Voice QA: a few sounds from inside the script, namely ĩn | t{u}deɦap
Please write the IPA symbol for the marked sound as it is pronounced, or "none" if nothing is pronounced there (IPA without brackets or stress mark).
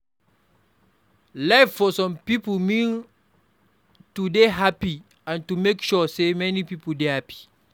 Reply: u